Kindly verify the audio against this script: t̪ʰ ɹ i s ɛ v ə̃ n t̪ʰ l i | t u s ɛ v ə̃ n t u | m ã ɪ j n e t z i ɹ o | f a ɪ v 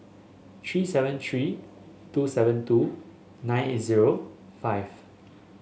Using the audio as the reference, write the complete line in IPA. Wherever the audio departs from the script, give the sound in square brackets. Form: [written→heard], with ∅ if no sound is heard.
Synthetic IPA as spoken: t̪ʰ ɹ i s ɛ v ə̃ n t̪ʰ [l→ɹ] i | t u s ɛ v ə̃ n t u | [m→n] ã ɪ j n e t z i ɹ o | f a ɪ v